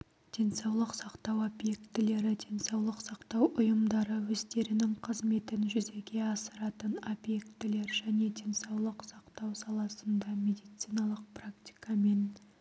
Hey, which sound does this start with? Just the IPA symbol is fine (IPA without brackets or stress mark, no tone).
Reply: d̪̥